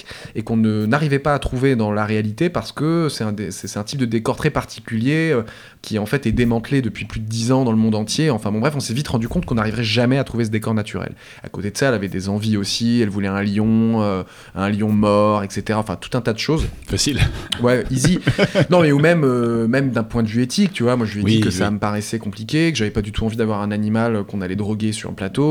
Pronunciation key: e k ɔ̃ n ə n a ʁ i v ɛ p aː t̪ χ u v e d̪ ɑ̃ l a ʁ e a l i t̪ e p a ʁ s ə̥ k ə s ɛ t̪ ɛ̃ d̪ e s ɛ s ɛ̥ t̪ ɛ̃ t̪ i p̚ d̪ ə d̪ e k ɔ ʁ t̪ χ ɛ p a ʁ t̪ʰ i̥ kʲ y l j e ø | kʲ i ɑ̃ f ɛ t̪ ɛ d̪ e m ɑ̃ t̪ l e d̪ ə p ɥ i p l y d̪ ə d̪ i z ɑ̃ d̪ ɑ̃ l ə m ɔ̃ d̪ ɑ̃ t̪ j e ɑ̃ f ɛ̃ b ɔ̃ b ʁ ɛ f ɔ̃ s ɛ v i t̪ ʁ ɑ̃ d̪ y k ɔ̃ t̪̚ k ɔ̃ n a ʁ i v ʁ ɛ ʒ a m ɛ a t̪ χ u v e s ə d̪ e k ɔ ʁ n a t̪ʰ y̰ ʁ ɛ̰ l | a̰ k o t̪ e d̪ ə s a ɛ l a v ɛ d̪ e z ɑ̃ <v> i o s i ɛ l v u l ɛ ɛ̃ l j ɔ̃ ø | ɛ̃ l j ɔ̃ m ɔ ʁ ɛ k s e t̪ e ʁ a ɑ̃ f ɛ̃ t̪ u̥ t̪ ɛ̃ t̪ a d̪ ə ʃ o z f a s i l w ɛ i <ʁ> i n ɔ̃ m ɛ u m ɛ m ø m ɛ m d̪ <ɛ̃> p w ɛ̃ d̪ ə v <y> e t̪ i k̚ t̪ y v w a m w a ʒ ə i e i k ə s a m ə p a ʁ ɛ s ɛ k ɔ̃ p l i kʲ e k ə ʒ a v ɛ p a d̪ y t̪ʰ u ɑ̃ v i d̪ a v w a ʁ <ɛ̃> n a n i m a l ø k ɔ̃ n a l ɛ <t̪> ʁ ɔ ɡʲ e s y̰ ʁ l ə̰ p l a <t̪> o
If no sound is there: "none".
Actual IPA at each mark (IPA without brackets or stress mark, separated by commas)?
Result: v, z, ɛ̃, y, ɛ̃, d̪, t̪